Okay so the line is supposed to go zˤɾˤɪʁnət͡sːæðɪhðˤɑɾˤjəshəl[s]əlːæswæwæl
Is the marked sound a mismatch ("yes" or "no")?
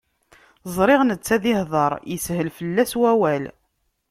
yes